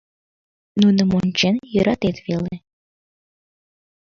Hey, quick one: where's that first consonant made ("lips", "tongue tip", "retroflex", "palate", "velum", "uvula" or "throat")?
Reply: tongue tip